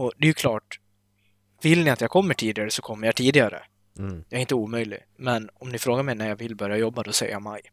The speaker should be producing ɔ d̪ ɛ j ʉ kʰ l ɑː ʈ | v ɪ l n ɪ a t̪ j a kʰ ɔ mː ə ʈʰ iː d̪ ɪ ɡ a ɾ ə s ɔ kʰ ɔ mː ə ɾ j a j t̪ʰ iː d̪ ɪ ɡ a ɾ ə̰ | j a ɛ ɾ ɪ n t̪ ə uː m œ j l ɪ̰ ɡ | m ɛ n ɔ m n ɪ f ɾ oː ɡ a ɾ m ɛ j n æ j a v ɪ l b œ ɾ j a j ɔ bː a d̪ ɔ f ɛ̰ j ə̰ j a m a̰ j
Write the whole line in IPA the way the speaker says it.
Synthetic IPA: ɔ d̪ ɛ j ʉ kʰ l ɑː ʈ | v ɪ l n ɪ a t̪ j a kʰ ɔ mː ə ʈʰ iː d̪ ɪ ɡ a ɾ ə s ɔ kʰ ɔ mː ə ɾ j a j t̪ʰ iː d̪ ɪ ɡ a ɾ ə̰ | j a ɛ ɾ ɪ n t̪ ə uː m œ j l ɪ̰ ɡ | m ɛ n ɔ m n ɪ f ɾ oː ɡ a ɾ m ɛ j n æ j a v ɪ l b œ ɾ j a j ɔ bː a d̪ ɔ s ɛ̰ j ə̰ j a m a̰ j